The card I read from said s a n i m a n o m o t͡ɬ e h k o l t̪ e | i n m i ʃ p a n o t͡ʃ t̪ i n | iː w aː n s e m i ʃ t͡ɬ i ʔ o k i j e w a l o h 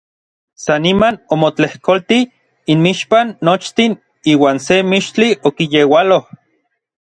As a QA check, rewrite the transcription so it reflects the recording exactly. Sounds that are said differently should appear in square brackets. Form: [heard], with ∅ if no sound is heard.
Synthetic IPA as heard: s a n i m a n o m o t͡ɬ e h k o l t̪ [i] | i n m i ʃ p a [nː] o t͡ʃ t̪ i n | iː w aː n s e m i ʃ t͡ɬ i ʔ o k i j e w a l o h